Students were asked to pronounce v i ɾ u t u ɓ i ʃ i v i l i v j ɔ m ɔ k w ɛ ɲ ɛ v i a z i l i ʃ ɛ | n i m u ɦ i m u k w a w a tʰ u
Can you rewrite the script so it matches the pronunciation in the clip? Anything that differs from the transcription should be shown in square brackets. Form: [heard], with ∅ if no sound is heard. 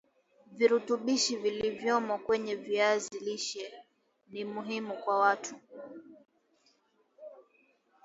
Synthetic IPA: v i ɾ u t u ɓ i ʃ i v i l i v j ɔ m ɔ k w ɛ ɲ ɛ v i a z i l i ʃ ɛ | n i m u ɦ i m u k w a w a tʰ u